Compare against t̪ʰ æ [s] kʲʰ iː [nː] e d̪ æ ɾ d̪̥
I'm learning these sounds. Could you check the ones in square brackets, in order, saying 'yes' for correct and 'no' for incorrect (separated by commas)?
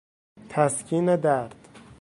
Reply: yes, no